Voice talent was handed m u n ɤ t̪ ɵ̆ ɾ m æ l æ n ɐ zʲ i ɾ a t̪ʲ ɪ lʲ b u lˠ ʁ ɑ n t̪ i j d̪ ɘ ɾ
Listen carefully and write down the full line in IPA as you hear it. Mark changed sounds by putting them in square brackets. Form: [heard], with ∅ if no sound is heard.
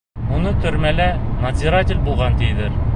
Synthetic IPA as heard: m u n ɤ t̪ ɵ̆ ɾ m æ l æ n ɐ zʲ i ɾ a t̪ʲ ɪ lʲ b u lˠ ʁ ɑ n t̪ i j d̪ ɘ ɾ

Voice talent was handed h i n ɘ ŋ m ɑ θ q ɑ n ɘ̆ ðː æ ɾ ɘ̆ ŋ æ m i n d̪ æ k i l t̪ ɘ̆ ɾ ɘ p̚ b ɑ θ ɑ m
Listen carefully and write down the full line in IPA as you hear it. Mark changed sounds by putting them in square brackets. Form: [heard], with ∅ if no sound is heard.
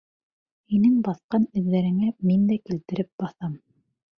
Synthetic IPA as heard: h i n ɘ ŋ [b] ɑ θ q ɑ n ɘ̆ ðː æ ɾ ɘ̆ ŋ æ m i n d̪ æ k i l t̪ ɘ̆ ɾ ɘ p̚ b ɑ θ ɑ m

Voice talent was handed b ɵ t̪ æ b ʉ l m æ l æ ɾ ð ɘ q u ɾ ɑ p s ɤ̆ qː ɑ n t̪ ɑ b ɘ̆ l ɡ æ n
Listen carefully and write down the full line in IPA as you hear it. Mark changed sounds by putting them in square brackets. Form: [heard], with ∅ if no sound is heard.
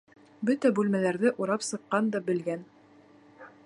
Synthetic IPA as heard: b ɵ t̪ æ b ʉ l m æ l æ ɾ ð ɘ [ʔ] u ɾ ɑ p s ɤ̆ qː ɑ n [d̪] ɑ b ɘ̆ l ɡ æ n

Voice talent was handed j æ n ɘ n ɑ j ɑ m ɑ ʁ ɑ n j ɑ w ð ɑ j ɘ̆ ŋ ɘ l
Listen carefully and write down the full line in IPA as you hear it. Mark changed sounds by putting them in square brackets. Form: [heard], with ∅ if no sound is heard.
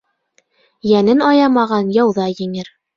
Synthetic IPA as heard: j æ n ɘ n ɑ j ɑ m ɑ ʁ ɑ n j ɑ w ð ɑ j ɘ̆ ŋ ɘ [ɾ]

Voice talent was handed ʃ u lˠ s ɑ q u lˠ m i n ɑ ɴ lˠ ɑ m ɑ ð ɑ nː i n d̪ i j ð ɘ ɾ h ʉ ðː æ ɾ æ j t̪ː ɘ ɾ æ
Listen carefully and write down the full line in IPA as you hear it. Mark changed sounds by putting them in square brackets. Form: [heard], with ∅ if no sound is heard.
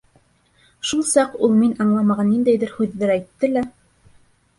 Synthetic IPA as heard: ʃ u lˠ s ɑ q u lˠ m i n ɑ ɴ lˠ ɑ m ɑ [ʁ] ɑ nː i n d̪ [æ] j ð ɘ ɾ h ʉ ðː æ ɾ æ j t̪ː ɘ [l] æ

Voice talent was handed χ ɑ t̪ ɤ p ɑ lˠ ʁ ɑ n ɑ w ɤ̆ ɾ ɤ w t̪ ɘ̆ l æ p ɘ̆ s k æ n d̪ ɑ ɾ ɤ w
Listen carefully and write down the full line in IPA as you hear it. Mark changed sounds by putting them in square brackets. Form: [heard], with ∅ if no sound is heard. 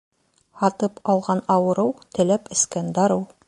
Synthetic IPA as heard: [h] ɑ t̪ ɤ p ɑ lˠ ʁ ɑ n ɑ w ɤ̆ ɾ ɤ w t̪ ɘ̆ l æ p ɘ̆ s k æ n d̪ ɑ ɾ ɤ w

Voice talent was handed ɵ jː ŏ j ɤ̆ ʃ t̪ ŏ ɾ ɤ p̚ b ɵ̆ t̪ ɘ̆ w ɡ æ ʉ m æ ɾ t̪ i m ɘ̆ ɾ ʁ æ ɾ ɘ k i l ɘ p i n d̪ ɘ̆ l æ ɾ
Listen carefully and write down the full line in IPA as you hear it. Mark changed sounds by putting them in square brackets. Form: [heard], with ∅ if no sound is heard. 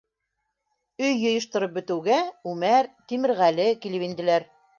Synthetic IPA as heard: ɵ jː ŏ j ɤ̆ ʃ t̪ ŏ ɾ ɤ p̚ b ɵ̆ t̪ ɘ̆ w ɡ æ ʉ m æ ɾ t̪ i m ɘ̆ ɾ ʁ æ [l] ɘ k i l ɘ p i n d̪ ɘ̆ l æ ɾ

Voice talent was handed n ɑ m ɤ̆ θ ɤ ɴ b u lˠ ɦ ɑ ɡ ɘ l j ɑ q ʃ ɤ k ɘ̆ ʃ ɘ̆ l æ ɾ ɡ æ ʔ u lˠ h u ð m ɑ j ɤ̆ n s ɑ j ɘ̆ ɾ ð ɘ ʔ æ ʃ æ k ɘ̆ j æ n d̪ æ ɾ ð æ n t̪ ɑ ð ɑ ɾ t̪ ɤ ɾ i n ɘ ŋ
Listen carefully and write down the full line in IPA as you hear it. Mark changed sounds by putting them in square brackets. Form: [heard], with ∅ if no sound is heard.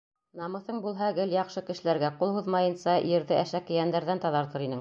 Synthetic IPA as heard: n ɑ m ɤ̆ θ ɤ ɴ b u lˠ ɦ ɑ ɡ ɘ l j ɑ q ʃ ɤ k ɘ̆ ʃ ɘ̆ l æ ɾ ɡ æ [q] u lˠ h u ð m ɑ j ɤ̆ n s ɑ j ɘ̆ ɾ ð ɘ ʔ æ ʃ æ k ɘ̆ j æ n d̪ æ ɾ ð æ n t̪ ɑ ð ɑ ɾ t̪ ɤ ɾ i n ɘ ŋ

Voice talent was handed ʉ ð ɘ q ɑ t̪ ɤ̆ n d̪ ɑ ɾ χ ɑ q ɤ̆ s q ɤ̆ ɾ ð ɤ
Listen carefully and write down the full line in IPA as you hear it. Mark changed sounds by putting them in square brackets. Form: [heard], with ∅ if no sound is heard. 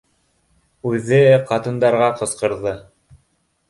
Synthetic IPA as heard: ʉ ð ɘ q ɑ t̪ ɤ̆ n d̪ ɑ ɾ [ʁ] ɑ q ɤ̆ s q ɤ̆ ɾ ð ɤ

